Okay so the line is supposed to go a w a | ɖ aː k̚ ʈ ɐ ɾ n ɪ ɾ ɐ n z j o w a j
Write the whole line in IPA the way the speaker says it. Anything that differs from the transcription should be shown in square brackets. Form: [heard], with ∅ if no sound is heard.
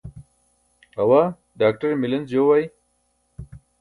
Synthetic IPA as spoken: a w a | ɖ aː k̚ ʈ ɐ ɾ [m] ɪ [l] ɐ n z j o w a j